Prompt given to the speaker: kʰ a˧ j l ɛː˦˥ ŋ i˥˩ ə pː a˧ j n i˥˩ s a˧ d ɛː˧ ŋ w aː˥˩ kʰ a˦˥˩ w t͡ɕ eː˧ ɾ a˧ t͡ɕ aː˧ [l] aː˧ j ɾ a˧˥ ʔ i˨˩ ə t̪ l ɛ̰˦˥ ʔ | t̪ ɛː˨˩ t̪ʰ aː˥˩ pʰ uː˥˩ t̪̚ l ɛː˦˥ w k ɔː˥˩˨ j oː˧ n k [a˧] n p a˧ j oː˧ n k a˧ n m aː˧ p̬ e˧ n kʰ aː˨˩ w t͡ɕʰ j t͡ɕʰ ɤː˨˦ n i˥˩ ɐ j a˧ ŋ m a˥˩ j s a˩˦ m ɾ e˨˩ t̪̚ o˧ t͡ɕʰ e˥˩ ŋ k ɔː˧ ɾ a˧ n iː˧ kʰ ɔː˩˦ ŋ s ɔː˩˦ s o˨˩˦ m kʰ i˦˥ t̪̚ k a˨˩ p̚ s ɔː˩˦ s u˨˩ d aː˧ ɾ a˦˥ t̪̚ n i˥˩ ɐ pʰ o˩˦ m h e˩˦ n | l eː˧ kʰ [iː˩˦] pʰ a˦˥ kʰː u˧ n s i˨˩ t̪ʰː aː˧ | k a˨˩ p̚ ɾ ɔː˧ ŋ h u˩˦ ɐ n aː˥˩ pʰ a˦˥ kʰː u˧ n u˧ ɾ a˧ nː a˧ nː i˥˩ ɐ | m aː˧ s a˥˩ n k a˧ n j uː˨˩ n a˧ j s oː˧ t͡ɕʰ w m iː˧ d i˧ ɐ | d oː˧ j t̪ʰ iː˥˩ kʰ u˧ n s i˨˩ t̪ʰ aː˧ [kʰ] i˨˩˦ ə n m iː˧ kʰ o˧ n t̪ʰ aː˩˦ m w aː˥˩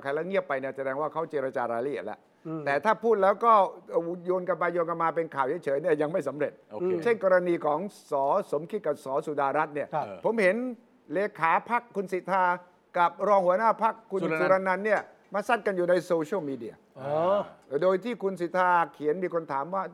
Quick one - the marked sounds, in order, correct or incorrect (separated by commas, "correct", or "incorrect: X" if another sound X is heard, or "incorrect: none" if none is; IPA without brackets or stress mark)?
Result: incorrect: ɾ, correct, incorrect: aː˩˦, correct